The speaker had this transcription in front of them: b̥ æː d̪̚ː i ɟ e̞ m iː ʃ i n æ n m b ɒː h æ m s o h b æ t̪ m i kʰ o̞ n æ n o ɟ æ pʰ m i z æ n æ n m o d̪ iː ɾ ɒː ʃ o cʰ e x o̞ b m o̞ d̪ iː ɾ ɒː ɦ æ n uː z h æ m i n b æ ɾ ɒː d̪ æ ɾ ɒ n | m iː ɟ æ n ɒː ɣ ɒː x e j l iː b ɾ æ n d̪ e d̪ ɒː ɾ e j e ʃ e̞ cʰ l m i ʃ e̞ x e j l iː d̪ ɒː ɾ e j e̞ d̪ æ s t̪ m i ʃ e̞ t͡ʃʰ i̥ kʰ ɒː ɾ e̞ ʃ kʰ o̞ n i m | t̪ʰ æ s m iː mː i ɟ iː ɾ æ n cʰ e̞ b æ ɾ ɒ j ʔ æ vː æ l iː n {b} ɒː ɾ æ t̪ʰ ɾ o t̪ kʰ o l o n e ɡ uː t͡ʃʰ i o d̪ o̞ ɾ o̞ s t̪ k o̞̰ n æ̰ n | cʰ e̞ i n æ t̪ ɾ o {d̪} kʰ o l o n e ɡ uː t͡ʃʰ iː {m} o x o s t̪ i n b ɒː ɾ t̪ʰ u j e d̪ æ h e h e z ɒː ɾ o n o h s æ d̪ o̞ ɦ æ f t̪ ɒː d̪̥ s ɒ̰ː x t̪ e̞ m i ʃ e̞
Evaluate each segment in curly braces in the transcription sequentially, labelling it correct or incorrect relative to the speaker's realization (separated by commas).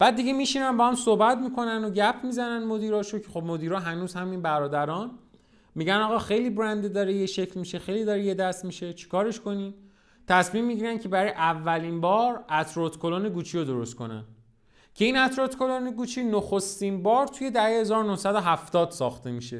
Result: correct, incorrect, incorrect